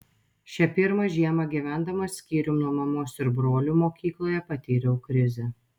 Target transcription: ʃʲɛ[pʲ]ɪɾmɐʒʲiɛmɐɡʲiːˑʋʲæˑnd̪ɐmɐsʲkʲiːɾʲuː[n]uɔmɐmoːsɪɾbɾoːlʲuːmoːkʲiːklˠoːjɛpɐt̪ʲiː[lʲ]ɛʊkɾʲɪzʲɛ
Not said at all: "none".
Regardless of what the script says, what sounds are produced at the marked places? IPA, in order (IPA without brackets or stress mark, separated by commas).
pʲ, n, ɾʲ